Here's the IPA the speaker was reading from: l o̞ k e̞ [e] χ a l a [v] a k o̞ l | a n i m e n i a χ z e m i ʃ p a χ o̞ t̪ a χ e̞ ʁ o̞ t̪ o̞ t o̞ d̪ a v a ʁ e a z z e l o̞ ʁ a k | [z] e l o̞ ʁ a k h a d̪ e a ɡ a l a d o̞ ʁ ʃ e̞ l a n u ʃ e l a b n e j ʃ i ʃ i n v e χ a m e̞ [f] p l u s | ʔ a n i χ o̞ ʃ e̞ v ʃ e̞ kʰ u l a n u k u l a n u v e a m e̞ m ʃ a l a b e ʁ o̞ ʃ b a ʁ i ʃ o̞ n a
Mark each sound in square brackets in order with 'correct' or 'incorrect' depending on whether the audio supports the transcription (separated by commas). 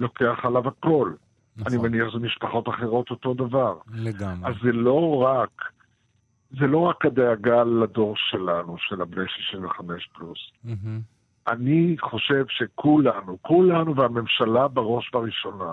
incorrect, correct, correct, incorrect